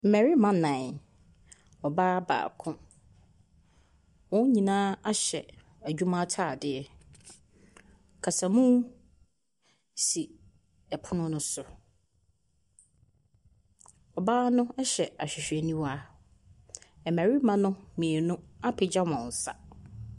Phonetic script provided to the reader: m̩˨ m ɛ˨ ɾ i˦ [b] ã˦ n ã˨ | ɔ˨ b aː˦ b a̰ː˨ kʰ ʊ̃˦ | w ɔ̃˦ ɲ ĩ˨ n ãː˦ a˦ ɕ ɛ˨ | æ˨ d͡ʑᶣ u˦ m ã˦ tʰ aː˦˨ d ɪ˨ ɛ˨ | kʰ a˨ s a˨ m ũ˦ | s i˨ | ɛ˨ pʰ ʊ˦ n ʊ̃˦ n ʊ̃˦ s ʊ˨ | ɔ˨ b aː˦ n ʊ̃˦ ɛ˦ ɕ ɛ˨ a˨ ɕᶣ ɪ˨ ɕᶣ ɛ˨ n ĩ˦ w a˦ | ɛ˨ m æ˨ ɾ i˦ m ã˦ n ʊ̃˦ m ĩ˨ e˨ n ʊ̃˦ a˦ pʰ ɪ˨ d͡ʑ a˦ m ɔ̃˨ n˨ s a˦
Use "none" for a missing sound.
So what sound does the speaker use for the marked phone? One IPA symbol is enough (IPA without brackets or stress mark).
m